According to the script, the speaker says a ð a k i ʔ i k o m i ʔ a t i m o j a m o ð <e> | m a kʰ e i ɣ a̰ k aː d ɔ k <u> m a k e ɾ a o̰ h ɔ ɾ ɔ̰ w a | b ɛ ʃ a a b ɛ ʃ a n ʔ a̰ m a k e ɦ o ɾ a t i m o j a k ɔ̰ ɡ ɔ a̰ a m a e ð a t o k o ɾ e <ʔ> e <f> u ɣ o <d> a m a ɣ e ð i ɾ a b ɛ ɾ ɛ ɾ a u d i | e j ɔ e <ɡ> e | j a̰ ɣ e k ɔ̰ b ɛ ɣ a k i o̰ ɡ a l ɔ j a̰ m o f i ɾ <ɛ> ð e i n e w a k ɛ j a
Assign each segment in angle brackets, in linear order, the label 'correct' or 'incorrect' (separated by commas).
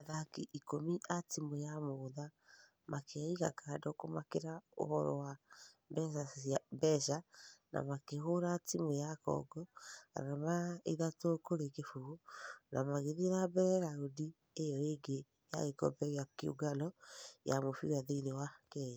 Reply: incorrect, incorrect, incorrect, correct, incorrect, correct, incorrect